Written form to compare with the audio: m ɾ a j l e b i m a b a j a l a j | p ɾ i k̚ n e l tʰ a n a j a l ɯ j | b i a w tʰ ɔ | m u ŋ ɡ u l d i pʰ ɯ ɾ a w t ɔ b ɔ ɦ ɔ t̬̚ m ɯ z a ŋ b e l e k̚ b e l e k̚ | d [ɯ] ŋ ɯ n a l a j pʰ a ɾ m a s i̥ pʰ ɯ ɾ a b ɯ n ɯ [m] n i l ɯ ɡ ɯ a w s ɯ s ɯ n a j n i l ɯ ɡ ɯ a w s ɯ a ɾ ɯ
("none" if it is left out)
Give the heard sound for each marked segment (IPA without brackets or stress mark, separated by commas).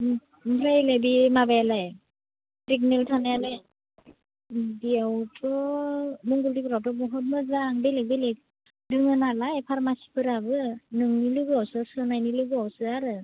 ɯ, ŋ